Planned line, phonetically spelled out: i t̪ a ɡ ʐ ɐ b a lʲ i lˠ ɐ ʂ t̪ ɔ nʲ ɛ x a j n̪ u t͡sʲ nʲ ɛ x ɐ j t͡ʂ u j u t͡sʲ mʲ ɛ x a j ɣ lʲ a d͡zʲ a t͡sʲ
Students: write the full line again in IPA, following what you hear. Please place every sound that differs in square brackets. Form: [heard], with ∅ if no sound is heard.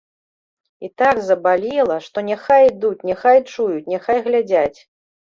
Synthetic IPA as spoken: i t̪ a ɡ [z] ɐ b a lʲ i lˠ ɐ ʂ t̪ ɔ nʲ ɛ x a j [d̪] u t͡sʲ nʲ ɛ x [a] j t͡ʂ u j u t͡sʲ [nʲ] ɛ x a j ɣ lʲ a d͡zʲ a t͡sʲ